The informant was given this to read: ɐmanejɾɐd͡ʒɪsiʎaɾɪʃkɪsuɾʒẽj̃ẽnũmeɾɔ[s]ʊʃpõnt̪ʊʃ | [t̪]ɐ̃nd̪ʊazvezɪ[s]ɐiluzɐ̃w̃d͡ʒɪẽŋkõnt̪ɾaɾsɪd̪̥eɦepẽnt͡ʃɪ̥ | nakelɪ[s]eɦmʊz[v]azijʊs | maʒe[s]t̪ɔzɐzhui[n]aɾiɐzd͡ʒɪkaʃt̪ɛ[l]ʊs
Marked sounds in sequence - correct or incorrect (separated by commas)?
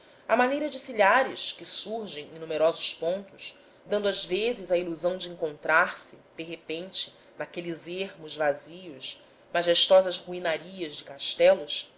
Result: incorrect, incorrect, incorrect, incorrect, correct, incorrect, correct, correct